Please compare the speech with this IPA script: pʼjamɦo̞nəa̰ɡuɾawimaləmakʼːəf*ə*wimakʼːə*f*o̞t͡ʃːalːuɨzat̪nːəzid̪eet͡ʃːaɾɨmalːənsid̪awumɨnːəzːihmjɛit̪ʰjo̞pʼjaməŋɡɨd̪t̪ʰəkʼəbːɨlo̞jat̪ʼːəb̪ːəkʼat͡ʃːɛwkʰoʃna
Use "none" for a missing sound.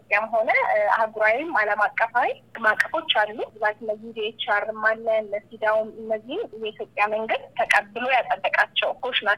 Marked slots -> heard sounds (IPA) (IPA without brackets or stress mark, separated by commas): a, f